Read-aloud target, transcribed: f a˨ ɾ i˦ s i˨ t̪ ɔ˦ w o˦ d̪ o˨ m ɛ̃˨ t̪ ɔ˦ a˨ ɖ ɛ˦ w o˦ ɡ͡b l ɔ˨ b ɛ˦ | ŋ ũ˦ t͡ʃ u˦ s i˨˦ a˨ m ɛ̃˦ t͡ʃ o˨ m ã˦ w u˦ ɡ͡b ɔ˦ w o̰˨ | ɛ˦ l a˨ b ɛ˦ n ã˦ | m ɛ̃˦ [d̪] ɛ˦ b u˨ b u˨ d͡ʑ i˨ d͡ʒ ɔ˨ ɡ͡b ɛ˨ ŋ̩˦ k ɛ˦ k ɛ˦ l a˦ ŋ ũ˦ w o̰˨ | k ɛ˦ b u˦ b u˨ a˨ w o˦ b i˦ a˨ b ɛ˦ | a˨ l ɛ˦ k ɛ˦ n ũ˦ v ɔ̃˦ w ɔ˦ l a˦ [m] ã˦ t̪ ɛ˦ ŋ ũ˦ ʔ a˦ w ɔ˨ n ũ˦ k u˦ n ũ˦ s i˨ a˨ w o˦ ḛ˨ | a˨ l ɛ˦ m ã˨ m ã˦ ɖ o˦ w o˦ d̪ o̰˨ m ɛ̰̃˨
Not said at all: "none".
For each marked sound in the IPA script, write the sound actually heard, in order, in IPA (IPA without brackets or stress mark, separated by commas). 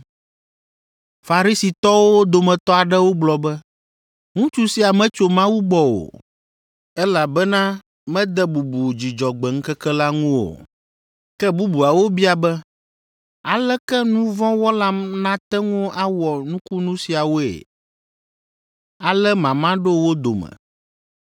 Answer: d̪, n